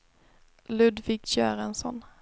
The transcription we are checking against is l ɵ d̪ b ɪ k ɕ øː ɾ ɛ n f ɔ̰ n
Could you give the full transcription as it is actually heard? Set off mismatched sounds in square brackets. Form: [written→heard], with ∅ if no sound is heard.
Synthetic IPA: l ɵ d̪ [b→v] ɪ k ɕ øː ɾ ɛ n [f→s] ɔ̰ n